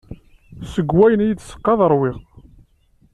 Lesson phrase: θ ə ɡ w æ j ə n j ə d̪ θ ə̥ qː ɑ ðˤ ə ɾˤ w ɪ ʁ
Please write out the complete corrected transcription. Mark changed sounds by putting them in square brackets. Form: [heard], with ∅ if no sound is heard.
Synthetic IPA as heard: [s] ə ɡ w æ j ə n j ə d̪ [s] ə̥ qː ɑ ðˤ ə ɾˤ w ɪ ʁ

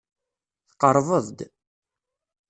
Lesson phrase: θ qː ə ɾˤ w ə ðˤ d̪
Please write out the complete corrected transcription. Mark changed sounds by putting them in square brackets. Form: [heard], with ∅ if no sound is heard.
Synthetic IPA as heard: θ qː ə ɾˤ [v] ə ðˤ d̪

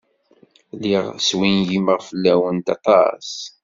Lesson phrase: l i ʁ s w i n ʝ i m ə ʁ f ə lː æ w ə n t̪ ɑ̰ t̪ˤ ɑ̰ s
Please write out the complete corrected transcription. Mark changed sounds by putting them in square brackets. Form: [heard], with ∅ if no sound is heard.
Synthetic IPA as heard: l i ʁ s w i n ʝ i m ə ʁ f ə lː æ w ə n t̪ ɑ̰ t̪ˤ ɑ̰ s

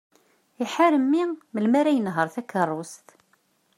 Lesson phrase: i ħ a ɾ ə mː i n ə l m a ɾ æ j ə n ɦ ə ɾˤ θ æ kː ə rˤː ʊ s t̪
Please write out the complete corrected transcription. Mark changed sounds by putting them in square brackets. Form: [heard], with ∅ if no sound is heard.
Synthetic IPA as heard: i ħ a ɾ ə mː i [m] ə l m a ɾ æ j ə n ɦ ə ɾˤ θ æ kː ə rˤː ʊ s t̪

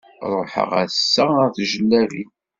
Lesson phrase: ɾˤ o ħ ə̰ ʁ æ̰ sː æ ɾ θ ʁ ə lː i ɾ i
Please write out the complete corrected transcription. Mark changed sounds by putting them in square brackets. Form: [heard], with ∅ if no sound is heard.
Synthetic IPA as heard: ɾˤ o ħ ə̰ ʁ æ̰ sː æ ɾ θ [ʒ] ə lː [æ] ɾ i

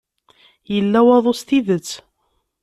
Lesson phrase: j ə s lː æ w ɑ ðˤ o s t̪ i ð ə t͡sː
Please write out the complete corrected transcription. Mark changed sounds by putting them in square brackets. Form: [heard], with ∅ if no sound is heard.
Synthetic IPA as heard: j ə [∅] lː æ w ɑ ðˤ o s t̪ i ð ə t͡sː

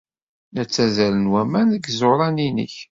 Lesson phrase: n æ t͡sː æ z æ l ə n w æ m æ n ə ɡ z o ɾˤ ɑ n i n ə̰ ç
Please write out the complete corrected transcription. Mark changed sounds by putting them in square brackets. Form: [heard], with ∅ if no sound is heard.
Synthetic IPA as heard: n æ t͡sː æ z æ l ə n w æ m æ n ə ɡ z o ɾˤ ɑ n i n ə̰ ç

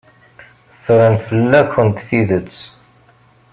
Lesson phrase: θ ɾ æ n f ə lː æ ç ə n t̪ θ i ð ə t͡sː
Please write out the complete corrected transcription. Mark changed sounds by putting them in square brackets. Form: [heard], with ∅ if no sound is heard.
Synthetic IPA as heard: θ ɾ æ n f ə lː æ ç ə n t̪ θ i ð ə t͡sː

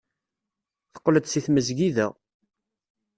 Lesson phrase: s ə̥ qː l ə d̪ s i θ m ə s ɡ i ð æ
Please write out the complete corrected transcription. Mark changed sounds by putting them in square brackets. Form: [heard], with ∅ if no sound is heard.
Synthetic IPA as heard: [θ] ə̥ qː l ə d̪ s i θ m ə [z] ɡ i ð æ

